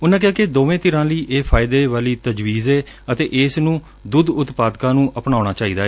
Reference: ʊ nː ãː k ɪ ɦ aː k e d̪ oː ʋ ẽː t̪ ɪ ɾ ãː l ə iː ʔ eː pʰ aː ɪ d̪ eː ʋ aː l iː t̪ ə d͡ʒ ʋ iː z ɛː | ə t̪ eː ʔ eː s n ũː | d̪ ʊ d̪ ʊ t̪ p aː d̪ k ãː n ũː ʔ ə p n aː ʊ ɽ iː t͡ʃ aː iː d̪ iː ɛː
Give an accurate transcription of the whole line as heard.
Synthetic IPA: ʊ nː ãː k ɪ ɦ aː k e d̪ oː ʋ ẽː t̪ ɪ ɾ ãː l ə iː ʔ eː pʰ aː ɪ d̪ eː ʋ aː l iː t̪ ə d͡ʒ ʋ iː z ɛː | ə t̪ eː ʔ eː s n ũː | d̪ ʊ d̪ ʊ t̪ p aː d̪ k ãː n ũː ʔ ə p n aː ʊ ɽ aː t͡ʃ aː iː d̪ aː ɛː